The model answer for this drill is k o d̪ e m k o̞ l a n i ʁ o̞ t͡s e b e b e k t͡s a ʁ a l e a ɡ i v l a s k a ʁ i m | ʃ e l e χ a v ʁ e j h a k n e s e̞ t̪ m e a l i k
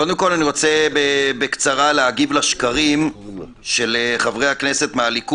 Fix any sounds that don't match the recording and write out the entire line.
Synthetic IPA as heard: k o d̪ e m k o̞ l a n i ʁ o̞ t͡s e b e b e k t͡s a ʁ a l e a ɡ i v l a ʃ k a ʁ i m | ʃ e l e χ a v ʁ e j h a k n e s e̞ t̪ m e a l i k